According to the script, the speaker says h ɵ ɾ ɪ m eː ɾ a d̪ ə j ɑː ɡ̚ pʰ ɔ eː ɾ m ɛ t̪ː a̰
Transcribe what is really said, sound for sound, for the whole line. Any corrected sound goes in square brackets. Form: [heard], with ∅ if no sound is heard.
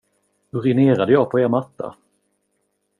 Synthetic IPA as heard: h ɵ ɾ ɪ [n] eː ɾ a d̪ ə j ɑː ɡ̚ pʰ ɔ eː ɾ m [a] t̪ː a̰

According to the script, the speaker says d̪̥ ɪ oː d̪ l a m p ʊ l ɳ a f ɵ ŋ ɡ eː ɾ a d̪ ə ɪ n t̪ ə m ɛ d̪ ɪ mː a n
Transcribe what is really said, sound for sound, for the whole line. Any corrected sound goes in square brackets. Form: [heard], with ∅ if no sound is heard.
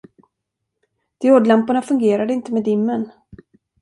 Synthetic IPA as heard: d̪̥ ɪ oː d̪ l a m p ʊ [∅] ɳ a f ɵ ŋ ɡ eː ɾ a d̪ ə ɪ n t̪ ə m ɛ d̪ ɪ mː [ə] n

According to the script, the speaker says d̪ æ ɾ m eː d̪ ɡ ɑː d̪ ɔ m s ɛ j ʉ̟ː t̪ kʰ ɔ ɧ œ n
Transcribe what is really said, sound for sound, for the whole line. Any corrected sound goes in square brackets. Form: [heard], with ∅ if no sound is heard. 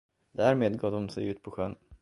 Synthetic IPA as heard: d̪ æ ɾ m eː d̪ ɡ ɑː d̪ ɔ m s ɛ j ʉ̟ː t̪ [pʰ] ɔ ɧ œ n

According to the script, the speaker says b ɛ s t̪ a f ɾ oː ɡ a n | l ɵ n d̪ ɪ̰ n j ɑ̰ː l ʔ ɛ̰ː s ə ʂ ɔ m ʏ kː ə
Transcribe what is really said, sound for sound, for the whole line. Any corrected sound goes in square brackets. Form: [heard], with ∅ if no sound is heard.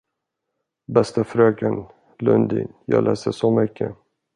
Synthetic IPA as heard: b ɛ s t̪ a f ɾ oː ɡ a n | l ɵ n d̪ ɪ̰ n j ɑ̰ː l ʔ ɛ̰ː s ə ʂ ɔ m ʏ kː ə

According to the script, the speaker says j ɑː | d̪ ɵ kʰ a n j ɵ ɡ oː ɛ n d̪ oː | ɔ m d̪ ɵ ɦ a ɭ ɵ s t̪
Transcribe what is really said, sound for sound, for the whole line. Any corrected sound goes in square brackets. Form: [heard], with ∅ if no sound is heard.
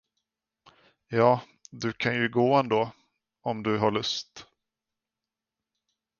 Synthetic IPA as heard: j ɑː | d̪ ɵ kʰ a n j ɵ ɡ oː ɛ n d̪ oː | ɔ m d̪ ɵ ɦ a ɭ ɵ s t̪

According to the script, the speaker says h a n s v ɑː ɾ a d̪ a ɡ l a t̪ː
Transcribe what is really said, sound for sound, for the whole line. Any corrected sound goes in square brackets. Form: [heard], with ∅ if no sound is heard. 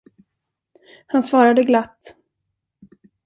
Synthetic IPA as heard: h a n s v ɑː ɾ a d̪ [ə] ɡ l a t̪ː

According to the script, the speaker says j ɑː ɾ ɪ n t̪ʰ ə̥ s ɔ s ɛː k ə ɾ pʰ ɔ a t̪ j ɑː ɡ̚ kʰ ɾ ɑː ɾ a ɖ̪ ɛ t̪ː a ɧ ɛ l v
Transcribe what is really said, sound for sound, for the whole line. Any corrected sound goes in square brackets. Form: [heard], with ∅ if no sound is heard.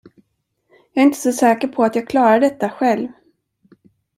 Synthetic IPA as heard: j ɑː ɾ ɪ n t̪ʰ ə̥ s ɔ s ɛː k ə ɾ pʰ ɔ a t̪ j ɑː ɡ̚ kʰ [l] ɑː ɾ a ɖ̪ ɛ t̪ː a ɧ ɛ l v

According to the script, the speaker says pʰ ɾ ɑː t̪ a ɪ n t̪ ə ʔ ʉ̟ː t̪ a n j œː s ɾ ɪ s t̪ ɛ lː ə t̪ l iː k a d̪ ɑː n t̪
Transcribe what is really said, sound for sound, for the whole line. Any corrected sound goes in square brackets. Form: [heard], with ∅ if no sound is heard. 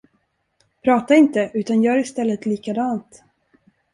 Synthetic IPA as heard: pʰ ɾ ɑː t̪ a ɪ n t̪ ə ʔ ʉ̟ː t̪ a n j œː [∅] ɾ ɪ s t̪ ɛ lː ə t̪ l iː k a d̪ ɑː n t̪

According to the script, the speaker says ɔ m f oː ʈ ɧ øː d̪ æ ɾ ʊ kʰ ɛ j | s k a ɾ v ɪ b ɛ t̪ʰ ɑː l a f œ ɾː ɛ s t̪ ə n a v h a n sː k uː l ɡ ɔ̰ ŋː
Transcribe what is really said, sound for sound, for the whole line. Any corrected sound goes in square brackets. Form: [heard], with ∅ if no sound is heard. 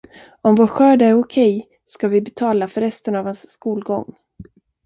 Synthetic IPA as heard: ɔ m [v] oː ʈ ɧ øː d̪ æ ɾ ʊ kʰ ɛ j | s k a [∅] v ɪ b ɛ t̪ʰ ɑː l a f œ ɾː ɛ s t̪ ə n a v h a n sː k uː l ɡ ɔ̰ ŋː

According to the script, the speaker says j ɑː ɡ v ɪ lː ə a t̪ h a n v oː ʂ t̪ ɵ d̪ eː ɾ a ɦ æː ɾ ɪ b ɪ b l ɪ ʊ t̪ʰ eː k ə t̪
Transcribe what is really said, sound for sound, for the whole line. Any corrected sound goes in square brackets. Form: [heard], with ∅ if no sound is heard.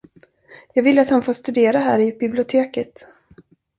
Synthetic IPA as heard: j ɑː ɡ v ɪ lː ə a t̪ h a n [f] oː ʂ t̪ ɵ d̪ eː ɾ a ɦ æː ɾ ɪ b ɪ b l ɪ ʊ t̪ʰ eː k ə t̪

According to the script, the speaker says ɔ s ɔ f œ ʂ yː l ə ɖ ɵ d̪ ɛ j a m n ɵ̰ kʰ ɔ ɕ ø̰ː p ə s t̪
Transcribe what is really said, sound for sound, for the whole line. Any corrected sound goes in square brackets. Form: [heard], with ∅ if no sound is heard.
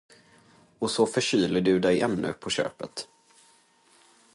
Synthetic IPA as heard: ɔ s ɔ f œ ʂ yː l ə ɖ ɵ d̪ ɛ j [ɛ] m n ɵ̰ [pʰ] ɔ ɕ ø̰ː p ə [∅] t̪

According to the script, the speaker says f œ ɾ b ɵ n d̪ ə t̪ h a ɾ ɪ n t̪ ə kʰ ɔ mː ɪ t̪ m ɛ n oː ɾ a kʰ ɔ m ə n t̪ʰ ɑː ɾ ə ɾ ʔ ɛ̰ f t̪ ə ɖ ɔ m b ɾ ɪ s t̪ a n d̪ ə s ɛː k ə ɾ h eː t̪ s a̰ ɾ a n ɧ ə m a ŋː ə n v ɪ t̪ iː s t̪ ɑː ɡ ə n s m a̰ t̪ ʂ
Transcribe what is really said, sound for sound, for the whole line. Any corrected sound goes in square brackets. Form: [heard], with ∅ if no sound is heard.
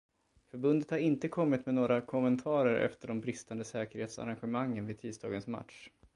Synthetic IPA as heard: f œ ɾ b ɵ n d̪ ə t̪ h a ɾ ɪ n t̪ ə kʰ ɔ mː ɪ t̪ m ɛ n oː ɾ a kʰ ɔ m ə n t̪ʰ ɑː ɾ ə ɾ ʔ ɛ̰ f t̪ ə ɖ ɔ m b ɾ ɪ s t̪ a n d̪ ə s ɛː k ə ɾ h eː t̪ s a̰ ɾ a n ɧ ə m a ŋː ə n v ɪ [t̪ʰ] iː s t̪ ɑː ɡ ə n s m a̰ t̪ ʂ

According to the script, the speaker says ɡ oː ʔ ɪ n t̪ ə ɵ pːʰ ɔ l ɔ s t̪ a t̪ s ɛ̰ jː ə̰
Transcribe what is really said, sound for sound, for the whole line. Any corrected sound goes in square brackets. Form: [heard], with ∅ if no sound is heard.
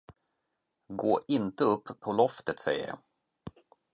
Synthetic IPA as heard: ɡ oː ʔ ɪ n t̪ ə ɵ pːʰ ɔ l ɔ [f] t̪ [ə] t̪ s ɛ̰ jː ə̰

